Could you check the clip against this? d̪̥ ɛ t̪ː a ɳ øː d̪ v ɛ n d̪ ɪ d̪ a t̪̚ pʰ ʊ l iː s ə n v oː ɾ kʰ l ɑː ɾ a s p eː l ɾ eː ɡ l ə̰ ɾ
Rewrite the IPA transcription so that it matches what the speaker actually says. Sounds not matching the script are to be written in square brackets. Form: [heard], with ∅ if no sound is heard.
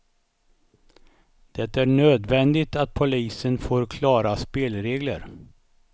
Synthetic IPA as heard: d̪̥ ɛ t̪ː [æ] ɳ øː d̪ v ɛ n d̪ ɪ [t̪] a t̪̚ pʰ ʊ l iː s ə n [f] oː ɾ kʰ l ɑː ɾ a s p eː l ɾ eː ɡ l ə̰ ɾ